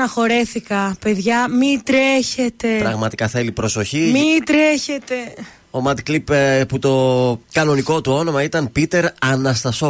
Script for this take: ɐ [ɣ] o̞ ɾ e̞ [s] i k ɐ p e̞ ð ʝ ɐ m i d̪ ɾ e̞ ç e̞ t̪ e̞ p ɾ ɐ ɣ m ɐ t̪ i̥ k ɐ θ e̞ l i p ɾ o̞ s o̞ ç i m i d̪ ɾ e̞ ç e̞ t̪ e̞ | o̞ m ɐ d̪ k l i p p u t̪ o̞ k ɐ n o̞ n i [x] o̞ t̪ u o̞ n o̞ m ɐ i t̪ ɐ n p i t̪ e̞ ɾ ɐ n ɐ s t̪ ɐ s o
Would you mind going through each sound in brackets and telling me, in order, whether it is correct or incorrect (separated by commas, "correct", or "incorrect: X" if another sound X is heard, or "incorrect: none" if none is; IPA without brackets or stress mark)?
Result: incorrect: x, incorrect: θ, incorrect: k